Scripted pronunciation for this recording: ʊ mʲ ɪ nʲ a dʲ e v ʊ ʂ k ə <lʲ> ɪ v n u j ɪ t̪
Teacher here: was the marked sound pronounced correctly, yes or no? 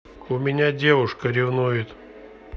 no